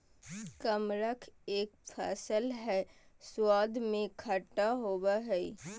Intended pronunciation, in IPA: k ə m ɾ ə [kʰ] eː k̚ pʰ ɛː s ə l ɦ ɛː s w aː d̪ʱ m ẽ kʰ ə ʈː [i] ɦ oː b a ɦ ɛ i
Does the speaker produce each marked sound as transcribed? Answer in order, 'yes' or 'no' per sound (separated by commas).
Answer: yes, no